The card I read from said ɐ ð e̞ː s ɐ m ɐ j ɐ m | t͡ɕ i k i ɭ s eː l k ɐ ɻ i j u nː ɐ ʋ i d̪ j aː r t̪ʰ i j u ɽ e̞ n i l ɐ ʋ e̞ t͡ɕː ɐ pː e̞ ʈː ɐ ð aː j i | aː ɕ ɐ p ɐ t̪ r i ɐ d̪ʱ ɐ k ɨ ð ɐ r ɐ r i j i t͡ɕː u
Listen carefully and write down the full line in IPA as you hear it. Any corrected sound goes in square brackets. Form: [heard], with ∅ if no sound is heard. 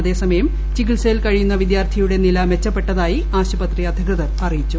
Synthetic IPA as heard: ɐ ð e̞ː s ɐ m ɐ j ɐ m | t͡ɕ i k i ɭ s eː l k ɐ ɻ i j u nː ɐ ʋ i d̪ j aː r t̪ʰ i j u ɽ e̞ n i l ɐ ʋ e̞ t͡ɕː ɐ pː e̞ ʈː ɐ ð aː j i | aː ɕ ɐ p ɐ t̪ r i ɐ d̪ʱ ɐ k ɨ ð ɐ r ɐ r i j i t͡ɕː u